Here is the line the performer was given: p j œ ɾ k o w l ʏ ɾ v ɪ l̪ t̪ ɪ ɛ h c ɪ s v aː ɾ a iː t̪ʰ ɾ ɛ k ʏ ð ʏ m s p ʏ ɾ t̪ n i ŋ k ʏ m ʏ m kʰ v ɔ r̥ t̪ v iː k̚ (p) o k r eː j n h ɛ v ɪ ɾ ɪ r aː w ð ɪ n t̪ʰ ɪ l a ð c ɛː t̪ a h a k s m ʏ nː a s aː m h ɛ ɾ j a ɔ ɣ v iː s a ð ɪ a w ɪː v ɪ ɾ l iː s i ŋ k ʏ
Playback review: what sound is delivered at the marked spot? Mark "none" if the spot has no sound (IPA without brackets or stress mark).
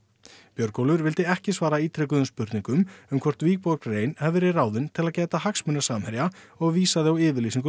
p